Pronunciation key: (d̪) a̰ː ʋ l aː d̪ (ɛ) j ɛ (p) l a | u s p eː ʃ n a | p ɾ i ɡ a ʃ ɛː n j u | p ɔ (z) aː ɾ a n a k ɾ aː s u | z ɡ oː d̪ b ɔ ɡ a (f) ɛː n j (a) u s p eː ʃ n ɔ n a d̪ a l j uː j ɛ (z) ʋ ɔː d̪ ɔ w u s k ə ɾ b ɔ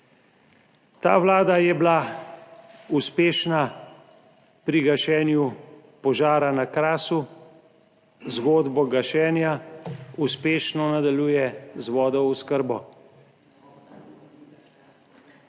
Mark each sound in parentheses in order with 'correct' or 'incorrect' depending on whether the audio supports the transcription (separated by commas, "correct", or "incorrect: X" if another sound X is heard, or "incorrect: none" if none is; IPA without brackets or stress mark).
incorrect: t̪, incorrect: a, incorrect: b, incorrect: ʒ, incorrect: ʃ, correct, correct